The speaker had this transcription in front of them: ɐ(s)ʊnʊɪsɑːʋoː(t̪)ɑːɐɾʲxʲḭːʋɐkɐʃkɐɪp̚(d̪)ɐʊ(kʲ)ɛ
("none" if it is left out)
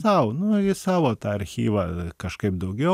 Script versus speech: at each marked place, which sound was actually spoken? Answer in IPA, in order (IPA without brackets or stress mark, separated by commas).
none, t̪, d̪, ɡʲ